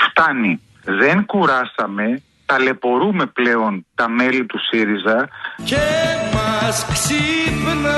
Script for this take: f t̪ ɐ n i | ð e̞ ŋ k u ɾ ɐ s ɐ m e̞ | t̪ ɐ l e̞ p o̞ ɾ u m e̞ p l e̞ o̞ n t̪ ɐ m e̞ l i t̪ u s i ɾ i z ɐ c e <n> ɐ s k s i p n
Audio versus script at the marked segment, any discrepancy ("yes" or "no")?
yes